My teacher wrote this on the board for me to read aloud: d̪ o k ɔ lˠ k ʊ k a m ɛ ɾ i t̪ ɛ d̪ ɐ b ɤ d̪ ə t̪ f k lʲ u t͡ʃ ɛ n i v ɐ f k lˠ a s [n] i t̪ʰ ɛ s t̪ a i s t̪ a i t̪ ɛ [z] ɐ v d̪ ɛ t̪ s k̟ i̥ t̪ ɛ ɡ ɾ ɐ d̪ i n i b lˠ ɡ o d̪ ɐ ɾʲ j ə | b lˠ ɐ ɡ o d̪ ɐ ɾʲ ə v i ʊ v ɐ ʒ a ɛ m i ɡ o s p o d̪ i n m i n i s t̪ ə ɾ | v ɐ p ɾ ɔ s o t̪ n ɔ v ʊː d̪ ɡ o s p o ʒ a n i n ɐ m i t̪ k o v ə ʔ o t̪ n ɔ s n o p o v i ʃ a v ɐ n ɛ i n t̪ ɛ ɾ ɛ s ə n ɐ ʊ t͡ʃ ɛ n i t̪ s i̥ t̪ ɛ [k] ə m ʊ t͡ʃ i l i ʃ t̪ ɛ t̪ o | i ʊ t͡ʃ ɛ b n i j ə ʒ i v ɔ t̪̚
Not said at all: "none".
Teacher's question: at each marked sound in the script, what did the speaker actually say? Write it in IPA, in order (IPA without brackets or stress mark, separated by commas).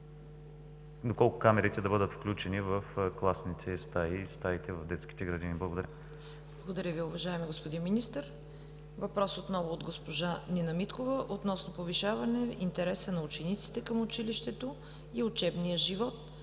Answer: n, v, k